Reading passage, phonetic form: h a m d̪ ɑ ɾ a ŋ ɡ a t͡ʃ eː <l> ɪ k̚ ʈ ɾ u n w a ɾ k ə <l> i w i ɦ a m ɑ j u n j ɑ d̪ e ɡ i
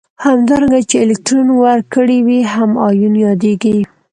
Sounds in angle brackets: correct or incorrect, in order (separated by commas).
correct, incorrect